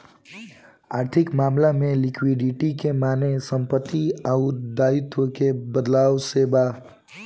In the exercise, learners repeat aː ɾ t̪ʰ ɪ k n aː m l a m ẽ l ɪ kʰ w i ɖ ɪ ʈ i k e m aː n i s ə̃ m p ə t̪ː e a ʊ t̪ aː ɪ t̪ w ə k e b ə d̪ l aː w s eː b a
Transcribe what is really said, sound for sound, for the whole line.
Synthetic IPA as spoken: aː ɾ t̪ʰ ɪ k m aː m l a m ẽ l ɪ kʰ w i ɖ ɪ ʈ i k e m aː n e s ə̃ m p ə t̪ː i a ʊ d̪ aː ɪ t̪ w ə k e b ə d̪ l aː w s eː b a